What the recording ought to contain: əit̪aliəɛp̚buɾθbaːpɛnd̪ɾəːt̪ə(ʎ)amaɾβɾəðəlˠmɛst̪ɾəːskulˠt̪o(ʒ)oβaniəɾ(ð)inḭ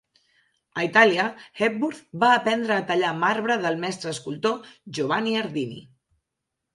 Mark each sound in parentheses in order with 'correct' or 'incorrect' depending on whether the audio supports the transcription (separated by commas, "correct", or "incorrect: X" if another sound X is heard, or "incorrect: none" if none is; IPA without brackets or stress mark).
correct, correct, correct